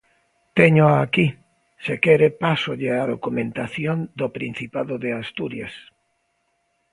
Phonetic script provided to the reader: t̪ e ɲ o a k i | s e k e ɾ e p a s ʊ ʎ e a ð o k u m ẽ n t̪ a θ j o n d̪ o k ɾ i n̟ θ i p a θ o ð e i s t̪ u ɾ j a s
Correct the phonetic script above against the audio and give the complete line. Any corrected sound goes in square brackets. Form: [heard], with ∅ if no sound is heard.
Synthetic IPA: t̪ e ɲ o a k i | s e k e ɾ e p a s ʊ ʎ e a ð o k u m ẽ n t̪ a θ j o n d̪ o [p] ɾ i n̟ θ i p a [ð] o ð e [a] s t̪ u ɾ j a s